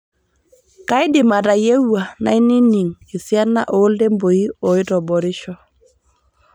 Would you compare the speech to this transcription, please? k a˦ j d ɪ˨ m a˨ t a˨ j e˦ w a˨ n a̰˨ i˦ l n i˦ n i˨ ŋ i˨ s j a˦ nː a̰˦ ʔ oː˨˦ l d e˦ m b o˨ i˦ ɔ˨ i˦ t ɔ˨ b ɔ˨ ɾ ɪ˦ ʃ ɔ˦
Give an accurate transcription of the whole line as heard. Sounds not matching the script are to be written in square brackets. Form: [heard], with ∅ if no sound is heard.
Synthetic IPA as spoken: k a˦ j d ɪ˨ m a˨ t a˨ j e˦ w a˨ n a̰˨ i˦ [∅] n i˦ n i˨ ŋ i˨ s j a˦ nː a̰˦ ʔ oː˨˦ l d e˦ m b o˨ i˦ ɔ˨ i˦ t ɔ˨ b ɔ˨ ɾ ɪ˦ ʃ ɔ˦